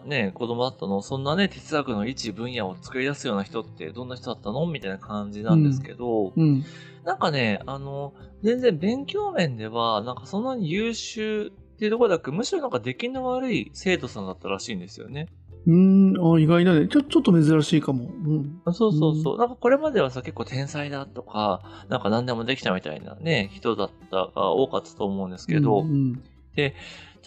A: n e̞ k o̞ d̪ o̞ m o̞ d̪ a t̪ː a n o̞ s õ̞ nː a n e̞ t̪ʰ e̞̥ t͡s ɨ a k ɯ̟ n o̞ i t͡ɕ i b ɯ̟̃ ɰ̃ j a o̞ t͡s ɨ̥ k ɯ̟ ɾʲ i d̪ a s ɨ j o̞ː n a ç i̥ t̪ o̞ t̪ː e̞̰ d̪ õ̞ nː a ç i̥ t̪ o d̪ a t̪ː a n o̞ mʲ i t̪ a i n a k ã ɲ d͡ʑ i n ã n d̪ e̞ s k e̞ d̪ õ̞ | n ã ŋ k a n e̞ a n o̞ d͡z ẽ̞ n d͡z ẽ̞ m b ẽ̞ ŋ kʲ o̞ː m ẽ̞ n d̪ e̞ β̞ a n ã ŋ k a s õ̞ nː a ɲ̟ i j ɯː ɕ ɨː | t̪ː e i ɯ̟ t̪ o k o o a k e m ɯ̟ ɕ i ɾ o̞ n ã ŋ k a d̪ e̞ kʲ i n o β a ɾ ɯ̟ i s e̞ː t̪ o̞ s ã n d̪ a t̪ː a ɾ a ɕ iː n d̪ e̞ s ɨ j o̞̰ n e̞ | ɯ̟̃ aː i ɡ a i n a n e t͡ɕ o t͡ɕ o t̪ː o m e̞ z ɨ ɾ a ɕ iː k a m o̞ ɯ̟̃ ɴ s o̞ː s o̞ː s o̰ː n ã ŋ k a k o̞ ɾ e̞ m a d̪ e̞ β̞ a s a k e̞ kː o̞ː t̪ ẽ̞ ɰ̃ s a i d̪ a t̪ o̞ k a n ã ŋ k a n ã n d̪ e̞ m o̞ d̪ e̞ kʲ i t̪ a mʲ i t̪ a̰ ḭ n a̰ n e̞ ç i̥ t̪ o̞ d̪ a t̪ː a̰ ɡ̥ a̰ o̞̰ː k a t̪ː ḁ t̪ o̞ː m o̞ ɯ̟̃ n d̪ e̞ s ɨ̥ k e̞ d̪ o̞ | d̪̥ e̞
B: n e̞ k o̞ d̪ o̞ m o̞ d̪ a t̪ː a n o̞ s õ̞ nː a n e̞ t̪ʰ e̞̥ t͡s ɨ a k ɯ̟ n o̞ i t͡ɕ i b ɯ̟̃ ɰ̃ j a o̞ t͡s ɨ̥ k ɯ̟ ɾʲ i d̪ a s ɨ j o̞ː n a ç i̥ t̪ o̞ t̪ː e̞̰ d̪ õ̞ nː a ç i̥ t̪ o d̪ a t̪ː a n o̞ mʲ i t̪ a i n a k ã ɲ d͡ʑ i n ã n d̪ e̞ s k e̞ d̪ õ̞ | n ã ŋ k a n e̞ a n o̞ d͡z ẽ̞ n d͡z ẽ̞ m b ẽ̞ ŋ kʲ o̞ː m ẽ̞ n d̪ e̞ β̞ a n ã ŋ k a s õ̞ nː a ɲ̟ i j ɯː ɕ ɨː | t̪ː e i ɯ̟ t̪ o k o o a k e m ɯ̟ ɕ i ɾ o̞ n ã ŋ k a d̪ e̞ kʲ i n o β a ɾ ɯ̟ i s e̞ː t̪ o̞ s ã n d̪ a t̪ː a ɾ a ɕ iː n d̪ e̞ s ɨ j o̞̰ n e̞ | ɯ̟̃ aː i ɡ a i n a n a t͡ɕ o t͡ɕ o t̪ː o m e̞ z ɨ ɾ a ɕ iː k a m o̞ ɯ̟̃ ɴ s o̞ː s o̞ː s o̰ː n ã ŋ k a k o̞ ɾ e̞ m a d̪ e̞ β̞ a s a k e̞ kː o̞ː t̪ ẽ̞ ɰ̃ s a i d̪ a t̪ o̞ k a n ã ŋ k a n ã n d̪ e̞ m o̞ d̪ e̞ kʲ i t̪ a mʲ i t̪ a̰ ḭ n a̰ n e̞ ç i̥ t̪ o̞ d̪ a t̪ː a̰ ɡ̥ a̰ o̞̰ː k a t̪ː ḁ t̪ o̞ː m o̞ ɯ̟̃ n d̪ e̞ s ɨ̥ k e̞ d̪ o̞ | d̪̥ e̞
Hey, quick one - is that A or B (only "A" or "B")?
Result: A